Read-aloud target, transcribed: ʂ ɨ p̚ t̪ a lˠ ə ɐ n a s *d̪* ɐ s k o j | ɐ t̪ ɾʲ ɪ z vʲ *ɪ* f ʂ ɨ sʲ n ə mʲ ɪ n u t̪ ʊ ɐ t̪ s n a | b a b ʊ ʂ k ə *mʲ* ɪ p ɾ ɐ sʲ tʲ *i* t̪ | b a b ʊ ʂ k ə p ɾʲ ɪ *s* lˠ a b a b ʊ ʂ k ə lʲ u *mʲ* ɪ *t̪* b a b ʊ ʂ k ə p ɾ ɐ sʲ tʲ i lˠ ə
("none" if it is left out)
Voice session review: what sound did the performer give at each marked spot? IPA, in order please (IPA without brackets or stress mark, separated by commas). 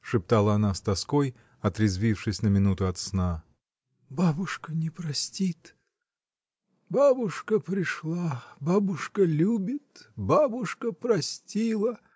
t̪, i, nʲ, i, ʂ, bʲ, t̪